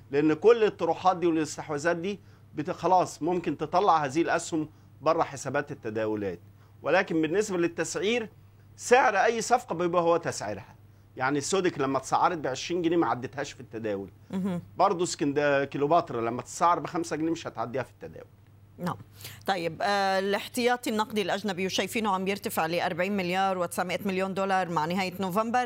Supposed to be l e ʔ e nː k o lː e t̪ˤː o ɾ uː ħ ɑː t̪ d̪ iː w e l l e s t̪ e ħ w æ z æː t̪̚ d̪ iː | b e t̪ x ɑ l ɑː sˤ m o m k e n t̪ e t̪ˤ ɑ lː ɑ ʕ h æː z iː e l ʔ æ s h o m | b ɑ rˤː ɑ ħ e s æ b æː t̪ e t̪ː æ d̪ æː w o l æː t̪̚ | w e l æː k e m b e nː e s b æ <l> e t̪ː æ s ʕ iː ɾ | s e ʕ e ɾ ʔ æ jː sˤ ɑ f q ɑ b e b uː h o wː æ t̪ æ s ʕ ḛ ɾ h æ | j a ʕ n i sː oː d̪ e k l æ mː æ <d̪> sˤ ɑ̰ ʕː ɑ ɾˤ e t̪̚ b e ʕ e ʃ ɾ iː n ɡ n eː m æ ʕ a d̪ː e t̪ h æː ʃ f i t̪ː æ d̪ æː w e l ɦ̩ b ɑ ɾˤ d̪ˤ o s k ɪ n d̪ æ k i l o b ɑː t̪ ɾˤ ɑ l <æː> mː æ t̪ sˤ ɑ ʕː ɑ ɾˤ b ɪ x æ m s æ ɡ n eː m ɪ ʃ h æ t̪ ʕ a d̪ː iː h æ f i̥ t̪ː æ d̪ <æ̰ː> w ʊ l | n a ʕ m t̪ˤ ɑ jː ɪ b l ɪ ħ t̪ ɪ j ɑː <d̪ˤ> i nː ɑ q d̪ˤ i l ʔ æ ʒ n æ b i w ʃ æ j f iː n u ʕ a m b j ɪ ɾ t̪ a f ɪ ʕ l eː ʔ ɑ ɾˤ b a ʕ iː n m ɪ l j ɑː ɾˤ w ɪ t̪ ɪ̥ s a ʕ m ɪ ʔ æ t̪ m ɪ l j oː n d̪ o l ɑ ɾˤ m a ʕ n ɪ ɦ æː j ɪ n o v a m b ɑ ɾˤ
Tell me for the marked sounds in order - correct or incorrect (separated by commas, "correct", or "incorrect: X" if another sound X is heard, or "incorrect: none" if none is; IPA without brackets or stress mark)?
correct, incorrect: t̪, incorrect: æ, correct, incorrect: t̪ˤ